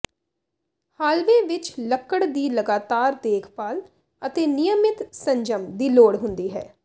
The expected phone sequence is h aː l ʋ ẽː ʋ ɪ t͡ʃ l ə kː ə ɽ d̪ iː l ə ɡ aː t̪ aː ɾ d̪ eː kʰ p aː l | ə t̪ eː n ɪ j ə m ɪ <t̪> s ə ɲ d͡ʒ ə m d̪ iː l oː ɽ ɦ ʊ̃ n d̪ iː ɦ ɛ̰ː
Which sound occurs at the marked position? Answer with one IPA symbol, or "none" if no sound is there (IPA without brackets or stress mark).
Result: t̪